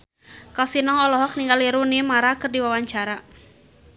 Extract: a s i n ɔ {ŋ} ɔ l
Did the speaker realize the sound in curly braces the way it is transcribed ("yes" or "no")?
yes